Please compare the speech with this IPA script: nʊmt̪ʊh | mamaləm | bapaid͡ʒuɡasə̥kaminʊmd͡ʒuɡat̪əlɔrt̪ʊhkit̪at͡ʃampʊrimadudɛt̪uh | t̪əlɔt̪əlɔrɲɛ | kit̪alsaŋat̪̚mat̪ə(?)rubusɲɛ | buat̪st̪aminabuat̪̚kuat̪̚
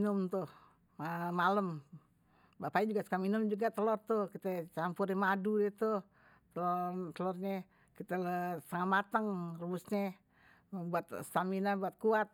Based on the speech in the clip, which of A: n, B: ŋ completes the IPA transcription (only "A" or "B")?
B